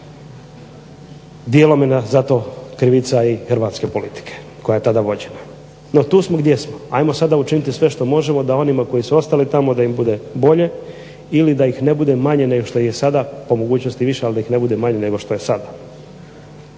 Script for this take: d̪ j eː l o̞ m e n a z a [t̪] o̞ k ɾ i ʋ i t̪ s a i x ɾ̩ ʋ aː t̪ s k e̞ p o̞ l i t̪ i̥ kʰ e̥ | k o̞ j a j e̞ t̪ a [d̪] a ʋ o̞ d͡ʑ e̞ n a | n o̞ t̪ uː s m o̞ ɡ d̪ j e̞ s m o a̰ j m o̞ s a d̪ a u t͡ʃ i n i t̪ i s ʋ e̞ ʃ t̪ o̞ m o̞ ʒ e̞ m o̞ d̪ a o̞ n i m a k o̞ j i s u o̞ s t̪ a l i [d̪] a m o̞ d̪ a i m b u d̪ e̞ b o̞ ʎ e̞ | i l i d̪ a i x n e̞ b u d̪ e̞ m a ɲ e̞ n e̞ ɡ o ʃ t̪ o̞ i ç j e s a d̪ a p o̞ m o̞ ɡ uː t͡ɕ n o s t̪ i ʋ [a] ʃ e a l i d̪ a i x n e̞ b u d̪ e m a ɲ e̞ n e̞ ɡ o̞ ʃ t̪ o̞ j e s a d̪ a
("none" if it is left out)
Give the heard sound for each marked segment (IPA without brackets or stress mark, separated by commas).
t̪, d̪, t̪, i